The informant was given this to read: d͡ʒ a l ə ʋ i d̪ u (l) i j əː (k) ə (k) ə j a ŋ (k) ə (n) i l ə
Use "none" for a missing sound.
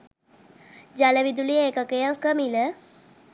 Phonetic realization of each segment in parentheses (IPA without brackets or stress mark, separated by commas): l, k, k, k, m